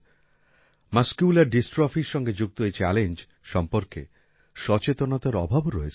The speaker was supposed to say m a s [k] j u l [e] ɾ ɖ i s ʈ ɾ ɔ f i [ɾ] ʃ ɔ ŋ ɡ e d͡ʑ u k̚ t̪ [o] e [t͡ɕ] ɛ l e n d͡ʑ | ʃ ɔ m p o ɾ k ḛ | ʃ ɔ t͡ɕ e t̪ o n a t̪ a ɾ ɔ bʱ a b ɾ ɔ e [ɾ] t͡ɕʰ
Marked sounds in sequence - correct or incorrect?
correct, incorrect: a, correct, correct, correct, incorrect: none

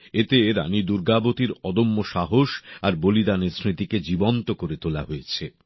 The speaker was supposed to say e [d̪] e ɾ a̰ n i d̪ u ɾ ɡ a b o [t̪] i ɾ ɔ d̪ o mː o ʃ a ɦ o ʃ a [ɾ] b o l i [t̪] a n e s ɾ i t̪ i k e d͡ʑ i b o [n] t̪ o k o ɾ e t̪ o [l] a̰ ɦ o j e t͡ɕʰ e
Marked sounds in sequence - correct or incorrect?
incorrect: t̪, correct, correct, incorrect: d̪, correct, correct

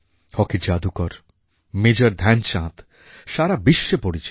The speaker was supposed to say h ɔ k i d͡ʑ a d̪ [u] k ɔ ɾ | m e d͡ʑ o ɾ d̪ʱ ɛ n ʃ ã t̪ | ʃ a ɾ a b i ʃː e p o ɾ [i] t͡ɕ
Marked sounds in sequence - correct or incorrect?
correct, correct

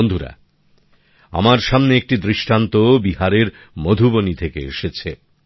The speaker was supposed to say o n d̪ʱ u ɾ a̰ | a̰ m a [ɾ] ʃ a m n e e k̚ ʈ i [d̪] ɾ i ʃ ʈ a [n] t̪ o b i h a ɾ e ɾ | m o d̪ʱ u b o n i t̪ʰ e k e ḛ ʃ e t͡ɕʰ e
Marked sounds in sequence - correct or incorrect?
correct, correct, correct

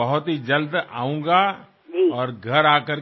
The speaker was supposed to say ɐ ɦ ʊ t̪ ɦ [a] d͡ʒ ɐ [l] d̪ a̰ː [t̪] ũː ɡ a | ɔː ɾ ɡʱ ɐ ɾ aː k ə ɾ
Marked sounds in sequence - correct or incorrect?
incorrect: i, correct, incorrect: none

